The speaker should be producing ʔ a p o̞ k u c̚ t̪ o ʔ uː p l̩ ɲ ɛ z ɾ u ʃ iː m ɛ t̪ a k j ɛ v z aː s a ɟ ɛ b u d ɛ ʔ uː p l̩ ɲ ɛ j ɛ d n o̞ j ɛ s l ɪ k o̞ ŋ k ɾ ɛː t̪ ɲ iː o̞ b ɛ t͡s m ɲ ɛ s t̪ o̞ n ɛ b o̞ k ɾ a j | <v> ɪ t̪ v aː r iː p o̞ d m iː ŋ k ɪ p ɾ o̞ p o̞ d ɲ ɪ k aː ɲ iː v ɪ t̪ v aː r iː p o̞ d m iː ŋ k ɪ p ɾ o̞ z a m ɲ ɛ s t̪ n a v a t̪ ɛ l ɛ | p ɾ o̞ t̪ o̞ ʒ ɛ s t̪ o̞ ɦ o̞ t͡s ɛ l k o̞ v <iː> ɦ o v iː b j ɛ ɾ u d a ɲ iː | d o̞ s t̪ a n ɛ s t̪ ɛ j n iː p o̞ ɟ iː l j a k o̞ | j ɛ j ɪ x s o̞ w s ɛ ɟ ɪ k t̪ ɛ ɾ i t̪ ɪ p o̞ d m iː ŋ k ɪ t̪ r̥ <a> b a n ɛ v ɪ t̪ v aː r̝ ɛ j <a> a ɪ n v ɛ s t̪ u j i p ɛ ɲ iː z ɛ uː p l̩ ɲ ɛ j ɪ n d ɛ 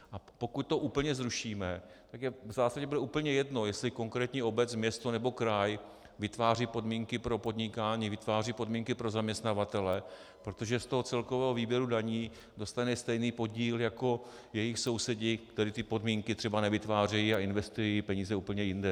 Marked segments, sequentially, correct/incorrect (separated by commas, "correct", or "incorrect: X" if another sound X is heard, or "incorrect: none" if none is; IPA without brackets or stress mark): correct, incorrect: ɛː, incorrect: ɛ, incorrect: i